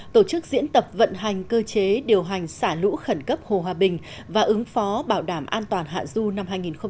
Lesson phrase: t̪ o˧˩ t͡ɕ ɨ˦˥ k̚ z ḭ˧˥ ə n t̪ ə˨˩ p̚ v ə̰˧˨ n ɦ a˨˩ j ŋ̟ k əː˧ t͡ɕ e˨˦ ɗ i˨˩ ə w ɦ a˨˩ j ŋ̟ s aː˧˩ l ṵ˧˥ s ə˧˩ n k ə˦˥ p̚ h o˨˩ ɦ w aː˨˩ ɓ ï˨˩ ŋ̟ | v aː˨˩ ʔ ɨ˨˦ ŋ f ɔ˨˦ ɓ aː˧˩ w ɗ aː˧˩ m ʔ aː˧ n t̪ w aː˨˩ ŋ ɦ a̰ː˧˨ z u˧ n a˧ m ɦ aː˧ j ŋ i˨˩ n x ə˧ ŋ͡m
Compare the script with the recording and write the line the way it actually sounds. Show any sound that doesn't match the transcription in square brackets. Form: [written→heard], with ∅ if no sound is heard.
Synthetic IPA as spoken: t̪ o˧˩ t͡ɕ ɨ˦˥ k̚ z ḭ˧˥ ə n t̪ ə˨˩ p̚ v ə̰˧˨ n ɦ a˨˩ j ŋ̟ k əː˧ t͡ɕ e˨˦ ɗ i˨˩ ə w ɦ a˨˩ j ŋ̟ s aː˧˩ l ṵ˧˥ [s→x] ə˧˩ n k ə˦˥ p̚ h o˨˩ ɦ w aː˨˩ ɓ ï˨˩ ŋ̟ | v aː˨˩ ʔ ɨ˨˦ ŋ f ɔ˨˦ ɓ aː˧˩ w ɗ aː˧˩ m ʔ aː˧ n t̪ w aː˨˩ [ŋ→n] ɦ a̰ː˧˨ z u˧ n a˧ m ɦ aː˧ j ŋ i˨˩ n x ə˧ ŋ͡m

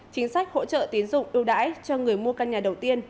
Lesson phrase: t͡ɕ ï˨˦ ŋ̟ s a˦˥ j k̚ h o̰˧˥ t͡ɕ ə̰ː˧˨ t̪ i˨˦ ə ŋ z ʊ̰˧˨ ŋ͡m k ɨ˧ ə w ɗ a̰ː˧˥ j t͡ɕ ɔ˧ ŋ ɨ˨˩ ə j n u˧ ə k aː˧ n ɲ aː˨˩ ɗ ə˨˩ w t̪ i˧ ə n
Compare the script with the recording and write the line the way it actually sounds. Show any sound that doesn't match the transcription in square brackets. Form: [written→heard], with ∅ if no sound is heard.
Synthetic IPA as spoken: t͡ɕ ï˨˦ ŋ̟ s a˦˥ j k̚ h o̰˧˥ t͡ɕ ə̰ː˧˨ t̪ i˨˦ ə [ŋ→n] z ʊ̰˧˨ ŋ͡m [k→ʔ] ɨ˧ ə w ɗ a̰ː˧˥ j t͡ɕ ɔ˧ ŋ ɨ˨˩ ə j [n→m] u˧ ə k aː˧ n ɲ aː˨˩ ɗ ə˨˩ w t̪ i˧ ə n

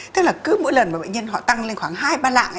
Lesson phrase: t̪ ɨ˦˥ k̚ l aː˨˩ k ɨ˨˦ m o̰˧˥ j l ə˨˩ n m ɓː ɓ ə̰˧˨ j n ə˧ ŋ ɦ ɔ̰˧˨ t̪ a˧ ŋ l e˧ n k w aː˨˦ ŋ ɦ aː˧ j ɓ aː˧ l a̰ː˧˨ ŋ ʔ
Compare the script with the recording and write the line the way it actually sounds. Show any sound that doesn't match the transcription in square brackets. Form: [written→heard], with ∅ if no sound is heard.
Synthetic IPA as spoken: t̪ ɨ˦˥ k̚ l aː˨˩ k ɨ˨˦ m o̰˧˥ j l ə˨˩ n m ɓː ɓ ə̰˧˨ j [n→ɲ] ə˧ [ŋ→n] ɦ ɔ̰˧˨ t̪ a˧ ŋ l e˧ n [k→x] w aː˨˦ ŋ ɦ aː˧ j ɓ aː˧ l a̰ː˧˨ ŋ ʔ

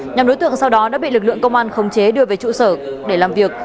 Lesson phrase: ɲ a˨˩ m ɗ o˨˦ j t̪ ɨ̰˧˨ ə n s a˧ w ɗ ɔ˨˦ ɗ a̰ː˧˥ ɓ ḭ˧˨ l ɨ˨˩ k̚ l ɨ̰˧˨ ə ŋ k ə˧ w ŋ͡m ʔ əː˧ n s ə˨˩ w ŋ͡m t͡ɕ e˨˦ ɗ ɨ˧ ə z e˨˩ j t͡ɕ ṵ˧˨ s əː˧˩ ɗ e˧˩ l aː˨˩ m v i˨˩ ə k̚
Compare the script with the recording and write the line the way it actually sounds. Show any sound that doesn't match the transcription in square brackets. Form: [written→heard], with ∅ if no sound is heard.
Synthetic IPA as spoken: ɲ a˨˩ m ɗ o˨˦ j t̪ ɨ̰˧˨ ə [n→ŋ] s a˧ w ɗ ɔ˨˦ ɗ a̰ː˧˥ ɓ ḭ˧˨ l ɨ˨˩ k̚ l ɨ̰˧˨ ə ŋ k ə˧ w ŋ͡m ʔ [əː˧→aː˧] n [s→x] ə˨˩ w ŋ͡m t͡ɕ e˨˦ ɗ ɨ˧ ə [z→v] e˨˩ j t͡ɕ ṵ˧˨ s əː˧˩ ɗ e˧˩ l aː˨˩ m v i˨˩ ə k̚

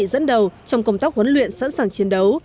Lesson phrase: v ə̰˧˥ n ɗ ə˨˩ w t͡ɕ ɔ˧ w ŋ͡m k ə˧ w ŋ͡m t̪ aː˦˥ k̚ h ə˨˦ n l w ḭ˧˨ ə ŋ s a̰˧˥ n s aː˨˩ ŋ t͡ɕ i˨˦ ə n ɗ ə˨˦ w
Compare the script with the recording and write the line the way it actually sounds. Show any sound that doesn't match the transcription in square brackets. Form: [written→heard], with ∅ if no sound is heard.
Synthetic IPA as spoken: [v→z] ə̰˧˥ n ɗ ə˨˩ w t͡ɕ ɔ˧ w ŋ͡m k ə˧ w ŋ͡m t̪ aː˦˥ k̚ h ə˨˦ n l w ḭ˧˨ ə [ŋ→n] s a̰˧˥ n s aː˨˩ ŋ t͡ɕ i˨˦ ə n ɗ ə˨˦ w

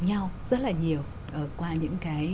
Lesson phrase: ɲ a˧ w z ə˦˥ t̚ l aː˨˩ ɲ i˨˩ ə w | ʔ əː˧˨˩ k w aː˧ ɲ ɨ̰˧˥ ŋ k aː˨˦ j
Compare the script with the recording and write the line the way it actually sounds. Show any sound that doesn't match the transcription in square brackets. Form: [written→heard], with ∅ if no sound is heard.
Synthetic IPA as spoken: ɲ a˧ w z ə˦˥ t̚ l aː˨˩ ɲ i˨˩ ə w | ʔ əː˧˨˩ k w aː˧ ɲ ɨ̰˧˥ ŋ k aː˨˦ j

